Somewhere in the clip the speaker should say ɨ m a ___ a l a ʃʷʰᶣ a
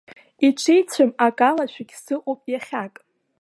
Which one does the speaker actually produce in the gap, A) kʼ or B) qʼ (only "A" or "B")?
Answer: A